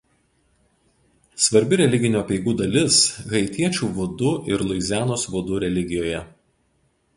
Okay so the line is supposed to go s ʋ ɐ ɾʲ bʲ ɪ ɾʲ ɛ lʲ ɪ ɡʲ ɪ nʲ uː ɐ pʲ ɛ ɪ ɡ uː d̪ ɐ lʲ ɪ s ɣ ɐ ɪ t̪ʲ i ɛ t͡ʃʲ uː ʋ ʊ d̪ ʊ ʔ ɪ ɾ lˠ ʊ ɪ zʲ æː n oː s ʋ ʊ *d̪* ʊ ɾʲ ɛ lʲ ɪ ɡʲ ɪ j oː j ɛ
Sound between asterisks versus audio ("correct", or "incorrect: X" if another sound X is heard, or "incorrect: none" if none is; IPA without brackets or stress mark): correct